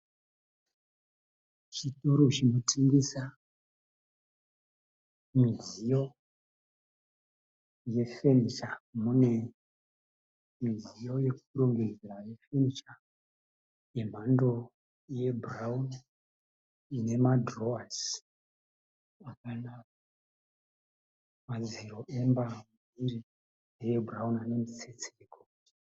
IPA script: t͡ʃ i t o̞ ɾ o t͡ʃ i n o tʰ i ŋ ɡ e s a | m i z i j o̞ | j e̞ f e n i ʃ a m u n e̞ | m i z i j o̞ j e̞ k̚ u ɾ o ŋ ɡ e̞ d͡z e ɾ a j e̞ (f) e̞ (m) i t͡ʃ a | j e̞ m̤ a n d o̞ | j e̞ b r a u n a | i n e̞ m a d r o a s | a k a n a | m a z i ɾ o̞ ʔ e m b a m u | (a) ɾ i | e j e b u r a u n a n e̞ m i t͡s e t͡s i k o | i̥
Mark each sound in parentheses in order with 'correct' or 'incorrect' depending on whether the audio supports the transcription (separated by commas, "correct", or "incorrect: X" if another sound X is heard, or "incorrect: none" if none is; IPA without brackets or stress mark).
correct, incorrect: n, incorrect: i